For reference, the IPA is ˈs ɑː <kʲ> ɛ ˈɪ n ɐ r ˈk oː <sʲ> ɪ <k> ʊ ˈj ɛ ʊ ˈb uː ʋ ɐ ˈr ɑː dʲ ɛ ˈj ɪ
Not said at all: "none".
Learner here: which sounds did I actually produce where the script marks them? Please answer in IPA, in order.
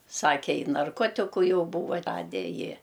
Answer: kʲ, tʲ, k

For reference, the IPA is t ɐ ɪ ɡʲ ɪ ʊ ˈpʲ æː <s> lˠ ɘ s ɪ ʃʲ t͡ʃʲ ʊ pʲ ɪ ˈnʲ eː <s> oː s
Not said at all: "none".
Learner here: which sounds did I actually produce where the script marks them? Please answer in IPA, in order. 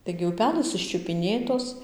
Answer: none, t

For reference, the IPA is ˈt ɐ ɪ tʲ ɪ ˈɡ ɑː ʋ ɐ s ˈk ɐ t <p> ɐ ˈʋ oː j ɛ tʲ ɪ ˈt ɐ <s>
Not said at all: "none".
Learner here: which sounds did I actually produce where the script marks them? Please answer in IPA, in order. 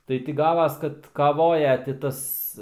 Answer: k, s

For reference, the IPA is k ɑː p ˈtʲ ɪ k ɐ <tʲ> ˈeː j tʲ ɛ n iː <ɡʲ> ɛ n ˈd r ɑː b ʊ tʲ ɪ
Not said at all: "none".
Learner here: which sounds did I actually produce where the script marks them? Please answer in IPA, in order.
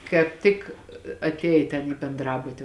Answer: tʲ, bʲ

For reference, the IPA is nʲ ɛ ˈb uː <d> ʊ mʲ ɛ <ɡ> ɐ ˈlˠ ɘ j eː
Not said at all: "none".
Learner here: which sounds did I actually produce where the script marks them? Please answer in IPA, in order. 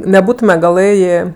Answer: t, ɡ

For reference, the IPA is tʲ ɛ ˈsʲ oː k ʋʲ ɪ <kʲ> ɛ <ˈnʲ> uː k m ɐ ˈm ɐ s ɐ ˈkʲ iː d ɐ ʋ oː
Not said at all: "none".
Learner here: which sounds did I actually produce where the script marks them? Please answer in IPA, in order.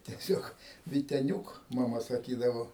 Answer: tʲ, nʲ

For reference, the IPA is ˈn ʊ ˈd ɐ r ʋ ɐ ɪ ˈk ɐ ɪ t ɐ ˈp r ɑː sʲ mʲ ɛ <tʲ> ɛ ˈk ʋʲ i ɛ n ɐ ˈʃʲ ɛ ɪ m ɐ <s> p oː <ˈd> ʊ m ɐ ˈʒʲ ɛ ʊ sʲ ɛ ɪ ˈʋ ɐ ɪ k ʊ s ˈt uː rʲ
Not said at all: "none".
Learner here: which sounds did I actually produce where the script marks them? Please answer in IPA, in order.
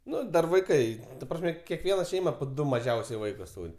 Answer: kʲ, none, d

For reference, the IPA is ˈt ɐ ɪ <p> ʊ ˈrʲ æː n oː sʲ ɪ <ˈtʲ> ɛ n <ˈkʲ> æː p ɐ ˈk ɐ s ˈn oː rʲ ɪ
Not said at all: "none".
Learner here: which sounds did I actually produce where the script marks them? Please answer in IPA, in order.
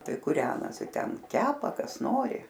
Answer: k, tʲ, kʲ

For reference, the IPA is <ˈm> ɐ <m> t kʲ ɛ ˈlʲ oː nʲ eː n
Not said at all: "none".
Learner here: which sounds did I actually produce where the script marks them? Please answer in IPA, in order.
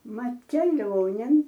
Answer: m, none

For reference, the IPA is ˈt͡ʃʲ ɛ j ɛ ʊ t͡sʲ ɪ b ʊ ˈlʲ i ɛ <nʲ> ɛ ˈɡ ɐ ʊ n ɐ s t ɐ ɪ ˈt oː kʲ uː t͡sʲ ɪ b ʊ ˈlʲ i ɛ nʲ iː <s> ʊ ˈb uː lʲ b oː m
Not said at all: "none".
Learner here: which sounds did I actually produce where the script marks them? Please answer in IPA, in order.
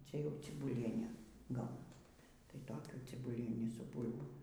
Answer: nʲ, s

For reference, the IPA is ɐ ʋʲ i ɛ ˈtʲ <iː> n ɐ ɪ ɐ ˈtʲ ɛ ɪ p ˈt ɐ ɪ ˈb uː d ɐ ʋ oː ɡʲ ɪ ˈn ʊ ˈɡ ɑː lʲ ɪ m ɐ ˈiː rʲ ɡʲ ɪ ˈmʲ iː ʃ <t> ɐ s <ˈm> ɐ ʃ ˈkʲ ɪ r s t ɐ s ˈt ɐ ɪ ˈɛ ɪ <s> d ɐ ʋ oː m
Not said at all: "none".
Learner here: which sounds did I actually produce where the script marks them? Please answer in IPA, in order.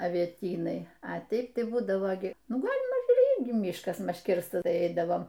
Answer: iː, k, m, none

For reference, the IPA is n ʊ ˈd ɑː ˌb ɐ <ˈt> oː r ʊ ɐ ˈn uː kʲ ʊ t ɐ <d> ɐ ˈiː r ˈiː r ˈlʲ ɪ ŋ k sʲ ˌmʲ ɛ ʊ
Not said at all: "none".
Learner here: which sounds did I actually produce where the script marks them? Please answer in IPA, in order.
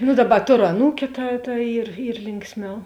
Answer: t, t

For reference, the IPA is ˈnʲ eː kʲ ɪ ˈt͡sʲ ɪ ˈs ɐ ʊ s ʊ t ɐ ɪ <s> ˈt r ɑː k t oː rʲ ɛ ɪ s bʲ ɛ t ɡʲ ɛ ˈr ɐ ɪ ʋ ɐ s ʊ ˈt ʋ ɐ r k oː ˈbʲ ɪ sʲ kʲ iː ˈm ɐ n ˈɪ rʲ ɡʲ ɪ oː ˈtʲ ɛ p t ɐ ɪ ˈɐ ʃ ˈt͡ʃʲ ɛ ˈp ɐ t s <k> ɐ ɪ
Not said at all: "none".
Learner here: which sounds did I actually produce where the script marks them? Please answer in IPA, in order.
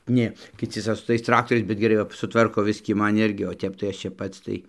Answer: s, t

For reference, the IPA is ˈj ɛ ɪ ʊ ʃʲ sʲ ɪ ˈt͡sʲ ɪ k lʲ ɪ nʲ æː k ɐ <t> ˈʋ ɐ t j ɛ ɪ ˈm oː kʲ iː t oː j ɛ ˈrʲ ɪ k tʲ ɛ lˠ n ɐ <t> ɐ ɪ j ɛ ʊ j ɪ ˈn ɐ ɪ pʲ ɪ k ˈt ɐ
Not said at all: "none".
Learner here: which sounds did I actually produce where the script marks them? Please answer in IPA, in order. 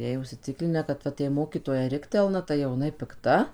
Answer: t, t

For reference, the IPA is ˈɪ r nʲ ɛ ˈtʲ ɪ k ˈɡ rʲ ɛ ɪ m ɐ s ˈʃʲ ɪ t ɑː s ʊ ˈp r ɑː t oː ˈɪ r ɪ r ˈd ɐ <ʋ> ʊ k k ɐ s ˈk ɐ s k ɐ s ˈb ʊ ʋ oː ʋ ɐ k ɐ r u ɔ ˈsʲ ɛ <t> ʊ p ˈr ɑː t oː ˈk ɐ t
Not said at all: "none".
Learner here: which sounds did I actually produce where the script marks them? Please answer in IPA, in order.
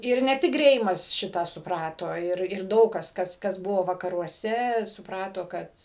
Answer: none, s

